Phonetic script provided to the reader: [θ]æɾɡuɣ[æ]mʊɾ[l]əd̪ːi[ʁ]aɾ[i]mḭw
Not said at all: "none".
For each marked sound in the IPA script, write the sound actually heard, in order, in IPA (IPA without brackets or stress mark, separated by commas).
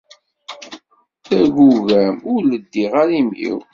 θ, æ, l, ʁ, i